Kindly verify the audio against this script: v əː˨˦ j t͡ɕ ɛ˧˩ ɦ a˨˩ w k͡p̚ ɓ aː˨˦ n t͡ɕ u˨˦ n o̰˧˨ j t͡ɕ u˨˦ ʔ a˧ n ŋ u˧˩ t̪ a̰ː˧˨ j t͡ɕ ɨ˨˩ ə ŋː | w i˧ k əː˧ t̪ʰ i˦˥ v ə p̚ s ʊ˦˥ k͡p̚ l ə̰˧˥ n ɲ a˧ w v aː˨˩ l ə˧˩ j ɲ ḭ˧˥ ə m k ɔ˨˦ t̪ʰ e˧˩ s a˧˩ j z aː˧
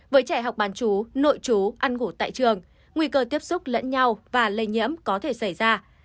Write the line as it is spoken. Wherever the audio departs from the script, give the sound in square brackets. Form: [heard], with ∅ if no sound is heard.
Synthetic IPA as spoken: v əː˨˦ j t͡ɕ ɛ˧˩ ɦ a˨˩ w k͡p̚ ɓ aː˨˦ n t͡ɕ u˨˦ n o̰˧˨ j t͡ɕ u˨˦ ʔ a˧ n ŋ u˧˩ t̪ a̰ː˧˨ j t͡ɕ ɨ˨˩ ə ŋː | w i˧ k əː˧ [t̪] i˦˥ [∅] ə p̚ s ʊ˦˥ k͡p̚ l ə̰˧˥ n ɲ a˧ w v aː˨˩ l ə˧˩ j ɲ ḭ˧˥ ə m k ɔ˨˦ t̪ʰ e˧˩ s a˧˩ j z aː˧